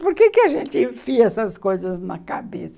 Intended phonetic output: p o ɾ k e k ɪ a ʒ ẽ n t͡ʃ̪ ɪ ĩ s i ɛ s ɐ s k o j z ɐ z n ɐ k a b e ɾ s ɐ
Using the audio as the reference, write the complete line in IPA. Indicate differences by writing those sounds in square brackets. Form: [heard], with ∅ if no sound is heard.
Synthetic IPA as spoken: p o ɾ k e k ɪ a ʒ ẽ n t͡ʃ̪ ɪ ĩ [f] i ɛ s ɐ s k o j z ɐ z n ɐ k a b e [∅] s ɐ

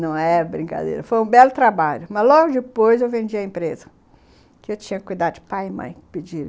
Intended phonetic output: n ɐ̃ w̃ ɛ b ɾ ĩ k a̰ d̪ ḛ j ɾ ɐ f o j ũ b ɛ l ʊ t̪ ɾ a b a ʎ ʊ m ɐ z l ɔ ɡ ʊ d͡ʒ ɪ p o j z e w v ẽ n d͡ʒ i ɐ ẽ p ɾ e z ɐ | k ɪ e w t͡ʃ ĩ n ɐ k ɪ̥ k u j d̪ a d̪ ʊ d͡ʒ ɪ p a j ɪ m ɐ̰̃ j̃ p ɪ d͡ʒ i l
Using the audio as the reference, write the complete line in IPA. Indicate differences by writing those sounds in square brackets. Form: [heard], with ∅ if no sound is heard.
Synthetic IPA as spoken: n ɐ̃ w̃ ɛ b ɾ ĩ k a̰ d̪ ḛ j ɾ ɐ f o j ũ b ɛ l ʊ t̪ ɾ a b a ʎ ʊ m ɐ z l ɔ ɡ ʊ d͡ʒ ɪ p o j z e w v ẽ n d͡ʒ i ɐ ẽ p ɾ e z ɐ | k ɪ e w t͡ʃ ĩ [ɲ] ɐ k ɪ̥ k u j d̪ a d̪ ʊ d͡ʒ ɪ p a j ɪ m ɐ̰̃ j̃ p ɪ d͡ʒ i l

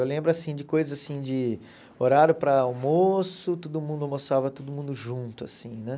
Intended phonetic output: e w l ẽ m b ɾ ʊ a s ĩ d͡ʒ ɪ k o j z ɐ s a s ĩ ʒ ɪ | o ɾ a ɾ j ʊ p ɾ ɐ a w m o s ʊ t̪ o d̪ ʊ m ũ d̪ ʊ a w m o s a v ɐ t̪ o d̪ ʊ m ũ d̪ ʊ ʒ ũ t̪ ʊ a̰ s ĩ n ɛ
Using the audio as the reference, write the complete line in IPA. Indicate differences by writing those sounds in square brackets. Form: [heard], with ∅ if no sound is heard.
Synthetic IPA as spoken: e w l ẽ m b ɾ ʊ a s ĩ d͡ʒ ɪ k o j z ɐ [z] a s ĩ [d͡ʒ] ɪ | o ɾ a ɾ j ʊ p ɾ ɐ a w m o s ʊ t̪ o d̪ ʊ m ũ d̪ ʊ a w m o s a v ɐ t̪ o d̪ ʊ m ũ d̪ ʊ ʒ ũ t̪ ʊ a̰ s ĩ n ɛ

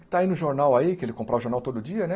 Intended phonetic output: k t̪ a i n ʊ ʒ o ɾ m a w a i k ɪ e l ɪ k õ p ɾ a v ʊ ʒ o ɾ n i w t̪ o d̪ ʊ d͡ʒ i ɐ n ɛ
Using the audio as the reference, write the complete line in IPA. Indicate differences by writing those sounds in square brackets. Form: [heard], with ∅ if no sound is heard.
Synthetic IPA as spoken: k t̪ a i n ʊ ʒ o ɾ [n] a w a i k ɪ e l ɪ k õ p ɾ a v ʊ ʒ o ɾ n [a] w t̪ o d̪ ʊ d͡ʒ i ɐ n ɛ

